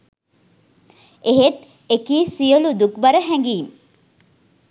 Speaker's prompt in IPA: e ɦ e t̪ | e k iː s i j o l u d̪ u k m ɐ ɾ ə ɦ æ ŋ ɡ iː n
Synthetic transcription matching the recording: e ɦ e t̪ | e k iː s i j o l u d̪ u k b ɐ ɾ ə ɦ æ ŋ ɡ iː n